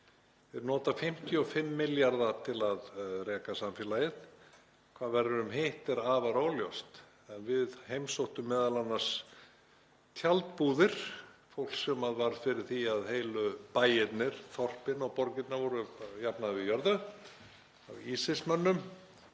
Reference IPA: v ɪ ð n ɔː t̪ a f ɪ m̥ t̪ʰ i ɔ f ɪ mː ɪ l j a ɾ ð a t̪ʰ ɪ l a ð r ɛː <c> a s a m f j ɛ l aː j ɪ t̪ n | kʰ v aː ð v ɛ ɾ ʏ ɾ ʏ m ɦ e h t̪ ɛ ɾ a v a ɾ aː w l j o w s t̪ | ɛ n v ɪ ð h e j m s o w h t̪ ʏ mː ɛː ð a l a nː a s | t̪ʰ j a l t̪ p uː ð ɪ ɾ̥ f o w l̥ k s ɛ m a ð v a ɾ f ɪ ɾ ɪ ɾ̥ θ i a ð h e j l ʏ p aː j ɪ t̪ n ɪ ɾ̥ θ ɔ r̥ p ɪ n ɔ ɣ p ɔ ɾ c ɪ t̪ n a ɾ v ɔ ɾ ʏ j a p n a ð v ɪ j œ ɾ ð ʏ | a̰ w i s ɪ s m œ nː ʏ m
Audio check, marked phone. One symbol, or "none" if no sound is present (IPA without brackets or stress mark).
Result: k